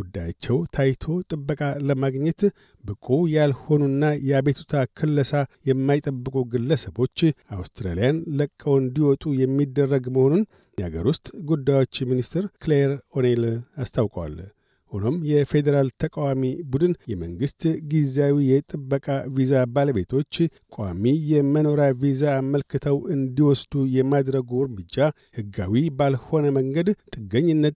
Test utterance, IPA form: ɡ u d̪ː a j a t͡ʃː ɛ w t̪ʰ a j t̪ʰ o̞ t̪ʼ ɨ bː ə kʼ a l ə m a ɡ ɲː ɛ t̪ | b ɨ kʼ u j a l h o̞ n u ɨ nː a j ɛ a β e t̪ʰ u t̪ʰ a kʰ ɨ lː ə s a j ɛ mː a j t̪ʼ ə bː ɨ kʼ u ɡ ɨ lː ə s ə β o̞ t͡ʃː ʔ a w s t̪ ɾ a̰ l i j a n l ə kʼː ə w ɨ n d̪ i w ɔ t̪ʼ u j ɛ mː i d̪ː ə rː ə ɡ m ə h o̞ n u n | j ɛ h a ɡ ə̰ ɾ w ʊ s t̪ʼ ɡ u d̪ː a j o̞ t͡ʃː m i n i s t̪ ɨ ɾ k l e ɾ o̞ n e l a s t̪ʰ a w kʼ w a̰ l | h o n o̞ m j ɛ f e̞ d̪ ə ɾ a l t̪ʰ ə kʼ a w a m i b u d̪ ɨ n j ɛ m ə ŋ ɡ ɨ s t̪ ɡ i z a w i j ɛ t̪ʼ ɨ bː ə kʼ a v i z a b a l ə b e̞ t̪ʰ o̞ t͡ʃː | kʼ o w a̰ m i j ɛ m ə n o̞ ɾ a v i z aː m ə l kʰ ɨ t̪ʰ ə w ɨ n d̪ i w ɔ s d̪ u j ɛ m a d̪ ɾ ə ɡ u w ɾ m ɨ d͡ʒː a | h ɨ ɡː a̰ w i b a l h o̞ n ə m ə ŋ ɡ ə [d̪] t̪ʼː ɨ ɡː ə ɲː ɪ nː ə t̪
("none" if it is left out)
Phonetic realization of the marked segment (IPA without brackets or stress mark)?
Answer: d̪